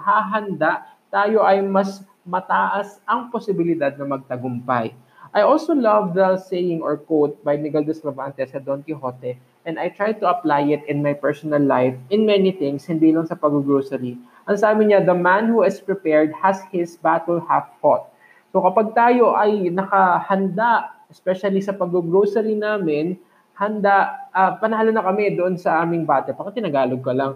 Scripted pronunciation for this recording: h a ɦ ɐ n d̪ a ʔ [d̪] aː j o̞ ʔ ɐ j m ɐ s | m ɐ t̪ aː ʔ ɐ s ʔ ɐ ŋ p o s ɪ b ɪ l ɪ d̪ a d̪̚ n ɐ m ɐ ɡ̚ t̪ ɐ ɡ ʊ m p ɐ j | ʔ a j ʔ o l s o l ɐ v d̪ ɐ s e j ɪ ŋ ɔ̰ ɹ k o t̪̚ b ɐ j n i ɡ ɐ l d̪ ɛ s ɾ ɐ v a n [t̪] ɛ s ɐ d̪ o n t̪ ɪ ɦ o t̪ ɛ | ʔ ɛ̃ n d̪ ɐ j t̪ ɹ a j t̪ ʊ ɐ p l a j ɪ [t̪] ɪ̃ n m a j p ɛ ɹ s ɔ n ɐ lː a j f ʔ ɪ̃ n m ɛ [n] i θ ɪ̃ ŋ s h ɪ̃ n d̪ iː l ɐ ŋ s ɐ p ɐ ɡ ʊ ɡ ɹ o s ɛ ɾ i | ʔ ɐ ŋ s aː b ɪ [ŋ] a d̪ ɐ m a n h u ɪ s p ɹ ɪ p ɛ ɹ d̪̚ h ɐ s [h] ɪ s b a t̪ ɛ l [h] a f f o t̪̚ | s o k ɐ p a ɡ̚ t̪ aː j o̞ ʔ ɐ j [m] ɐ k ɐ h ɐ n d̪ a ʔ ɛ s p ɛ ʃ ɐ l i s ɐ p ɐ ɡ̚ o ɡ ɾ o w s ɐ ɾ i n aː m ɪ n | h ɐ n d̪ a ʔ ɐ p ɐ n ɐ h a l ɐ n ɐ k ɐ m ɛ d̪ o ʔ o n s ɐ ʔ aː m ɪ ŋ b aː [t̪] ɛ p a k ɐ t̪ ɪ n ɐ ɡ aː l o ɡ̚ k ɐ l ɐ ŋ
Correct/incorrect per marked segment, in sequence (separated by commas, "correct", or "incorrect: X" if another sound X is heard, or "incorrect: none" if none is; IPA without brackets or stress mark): incorrect: t̪, correct, correct, correct, incorrect: ɲ, correct, correct, incorrect: n, correct